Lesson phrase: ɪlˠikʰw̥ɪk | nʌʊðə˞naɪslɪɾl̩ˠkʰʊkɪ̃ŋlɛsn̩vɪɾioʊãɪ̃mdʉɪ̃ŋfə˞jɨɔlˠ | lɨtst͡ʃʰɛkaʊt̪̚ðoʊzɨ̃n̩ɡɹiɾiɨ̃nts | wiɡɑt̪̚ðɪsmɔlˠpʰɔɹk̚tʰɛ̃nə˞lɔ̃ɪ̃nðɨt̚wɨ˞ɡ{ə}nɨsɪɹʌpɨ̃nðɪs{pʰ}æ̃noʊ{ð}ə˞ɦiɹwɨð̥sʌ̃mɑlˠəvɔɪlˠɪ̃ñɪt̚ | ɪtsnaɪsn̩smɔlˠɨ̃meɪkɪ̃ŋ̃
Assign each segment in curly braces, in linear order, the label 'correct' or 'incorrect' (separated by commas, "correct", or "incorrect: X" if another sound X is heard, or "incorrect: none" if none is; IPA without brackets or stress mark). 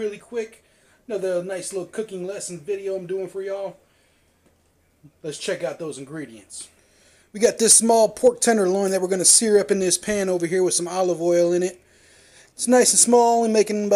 incorrect: ʌ, correct, incorrect: v